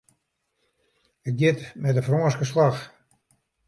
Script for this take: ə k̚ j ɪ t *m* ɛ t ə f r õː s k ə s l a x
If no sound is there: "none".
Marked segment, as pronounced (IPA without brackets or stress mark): m